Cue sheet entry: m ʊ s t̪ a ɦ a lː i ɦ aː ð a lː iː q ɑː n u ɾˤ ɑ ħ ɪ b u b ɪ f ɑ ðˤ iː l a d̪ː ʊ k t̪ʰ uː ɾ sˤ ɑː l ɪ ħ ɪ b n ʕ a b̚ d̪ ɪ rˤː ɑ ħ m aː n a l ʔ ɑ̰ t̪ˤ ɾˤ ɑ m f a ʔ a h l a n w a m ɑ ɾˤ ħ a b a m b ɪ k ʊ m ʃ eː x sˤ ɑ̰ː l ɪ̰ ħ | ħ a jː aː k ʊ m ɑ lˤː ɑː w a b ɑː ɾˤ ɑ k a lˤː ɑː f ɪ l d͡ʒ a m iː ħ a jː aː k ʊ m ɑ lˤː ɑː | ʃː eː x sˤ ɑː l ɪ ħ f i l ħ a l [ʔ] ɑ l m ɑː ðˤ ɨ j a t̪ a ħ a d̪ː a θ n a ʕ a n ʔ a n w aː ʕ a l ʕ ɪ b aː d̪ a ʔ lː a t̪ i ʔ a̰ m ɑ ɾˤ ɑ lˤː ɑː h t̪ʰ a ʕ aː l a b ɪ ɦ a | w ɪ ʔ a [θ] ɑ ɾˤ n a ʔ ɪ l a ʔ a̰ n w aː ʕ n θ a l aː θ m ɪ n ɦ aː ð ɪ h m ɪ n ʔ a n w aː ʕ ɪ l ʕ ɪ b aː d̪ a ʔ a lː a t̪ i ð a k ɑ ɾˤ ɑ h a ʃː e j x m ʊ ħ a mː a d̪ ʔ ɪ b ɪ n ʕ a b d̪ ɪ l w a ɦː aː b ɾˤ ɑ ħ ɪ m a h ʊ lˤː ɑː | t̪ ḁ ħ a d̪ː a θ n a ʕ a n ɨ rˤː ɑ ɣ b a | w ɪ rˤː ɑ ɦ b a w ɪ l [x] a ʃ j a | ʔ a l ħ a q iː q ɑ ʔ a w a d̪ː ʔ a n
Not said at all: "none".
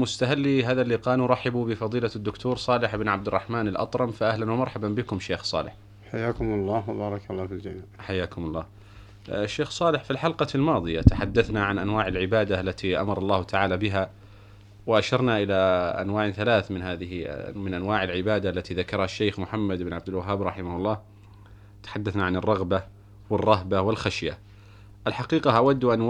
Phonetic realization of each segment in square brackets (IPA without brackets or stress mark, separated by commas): q, ʃ, x